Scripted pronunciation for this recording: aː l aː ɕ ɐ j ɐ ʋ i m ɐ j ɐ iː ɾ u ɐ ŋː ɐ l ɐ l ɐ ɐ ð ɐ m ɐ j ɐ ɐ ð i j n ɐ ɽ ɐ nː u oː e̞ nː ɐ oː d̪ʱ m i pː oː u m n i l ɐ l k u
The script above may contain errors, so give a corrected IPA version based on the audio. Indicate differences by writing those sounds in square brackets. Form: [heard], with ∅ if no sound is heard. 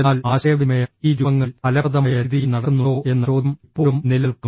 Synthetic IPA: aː l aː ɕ ɐ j ɐ ʋ i m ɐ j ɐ iː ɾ u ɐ ŋː ɐ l ɐ l ɐ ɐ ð ɐ m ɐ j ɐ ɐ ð i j n ɐ ɽ ɐ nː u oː e̞ nː ɐ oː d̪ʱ m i pː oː u m n i l ɐ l k u